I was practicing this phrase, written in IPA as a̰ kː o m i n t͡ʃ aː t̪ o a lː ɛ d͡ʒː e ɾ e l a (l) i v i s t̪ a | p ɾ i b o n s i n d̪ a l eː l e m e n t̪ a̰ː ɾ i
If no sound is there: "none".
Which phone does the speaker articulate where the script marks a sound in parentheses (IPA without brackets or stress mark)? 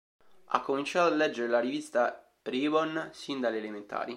ɾ